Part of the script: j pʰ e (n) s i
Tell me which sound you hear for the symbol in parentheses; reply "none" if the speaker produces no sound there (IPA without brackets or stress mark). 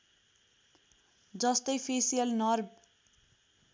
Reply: none